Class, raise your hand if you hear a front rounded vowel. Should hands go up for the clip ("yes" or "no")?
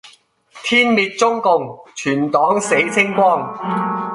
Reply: yes